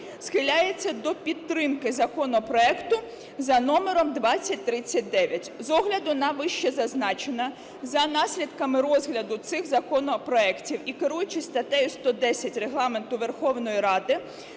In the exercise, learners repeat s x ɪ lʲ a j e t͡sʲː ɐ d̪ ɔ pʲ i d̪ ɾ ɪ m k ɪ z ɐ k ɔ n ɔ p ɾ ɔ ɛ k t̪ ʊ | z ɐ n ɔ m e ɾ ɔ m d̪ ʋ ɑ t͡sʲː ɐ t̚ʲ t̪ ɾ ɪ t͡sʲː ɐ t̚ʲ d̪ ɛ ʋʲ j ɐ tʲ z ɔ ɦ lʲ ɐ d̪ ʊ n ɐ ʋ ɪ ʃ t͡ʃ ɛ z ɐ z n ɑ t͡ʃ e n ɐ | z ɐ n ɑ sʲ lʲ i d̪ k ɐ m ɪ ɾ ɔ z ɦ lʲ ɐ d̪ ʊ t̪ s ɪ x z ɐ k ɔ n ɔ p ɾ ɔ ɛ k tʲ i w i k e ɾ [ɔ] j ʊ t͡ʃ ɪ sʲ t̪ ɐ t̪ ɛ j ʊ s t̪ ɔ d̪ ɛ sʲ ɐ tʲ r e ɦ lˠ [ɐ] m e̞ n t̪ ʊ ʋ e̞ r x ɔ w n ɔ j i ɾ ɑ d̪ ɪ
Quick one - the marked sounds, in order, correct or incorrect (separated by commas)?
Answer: incorrect, incorrect